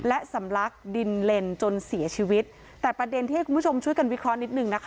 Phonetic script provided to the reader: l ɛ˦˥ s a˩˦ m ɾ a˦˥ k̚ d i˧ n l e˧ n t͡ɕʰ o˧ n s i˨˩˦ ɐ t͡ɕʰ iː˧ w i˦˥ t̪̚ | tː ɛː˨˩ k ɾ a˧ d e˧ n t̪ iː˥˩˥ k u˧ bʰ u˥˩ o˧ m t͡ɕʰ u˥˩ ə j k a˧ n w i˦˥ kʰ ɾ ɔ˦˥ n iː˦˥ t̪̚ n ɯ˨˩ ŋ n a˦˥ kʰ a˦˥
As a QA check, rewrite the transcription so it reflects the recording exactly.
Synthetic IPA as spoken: l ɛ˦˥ s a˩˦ m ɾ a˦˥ k̚ d i˧ n l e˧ n t͡ɕ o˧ n s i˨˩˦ ɐ t͡ɕʰ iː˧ w i˦˥ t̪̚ | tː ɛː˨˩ p ɾ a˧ d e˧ n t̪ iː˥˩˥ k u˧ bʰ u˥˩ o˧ m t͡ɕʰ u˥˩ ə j k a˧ n w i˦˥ kʰ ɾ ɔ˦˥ n i˦˥ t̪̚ n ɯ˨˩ ŋ n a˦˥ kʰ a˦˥